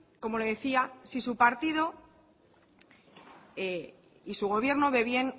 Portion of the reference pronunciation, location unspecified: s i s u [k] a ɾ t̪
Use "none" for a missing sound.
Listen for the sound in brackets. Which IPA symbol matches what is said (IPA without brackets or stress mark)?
p